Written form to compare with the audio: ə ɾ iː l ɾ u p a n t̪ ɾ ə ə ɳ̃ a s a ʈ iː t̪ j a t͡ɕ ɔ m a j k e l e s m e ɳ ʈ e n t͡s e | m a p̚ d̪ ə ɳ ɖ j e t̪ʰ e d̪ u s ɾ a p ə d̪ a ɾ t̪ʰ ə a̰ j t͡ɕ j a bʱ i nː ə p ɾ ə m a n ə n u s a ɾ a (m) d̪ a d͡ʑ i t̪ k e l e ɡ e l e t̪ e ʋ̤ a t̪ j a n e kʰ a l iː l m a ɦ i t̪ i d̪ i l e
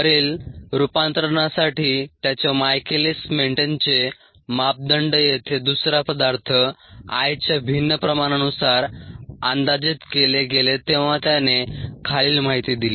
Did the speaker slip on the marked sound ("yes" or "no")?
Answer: yes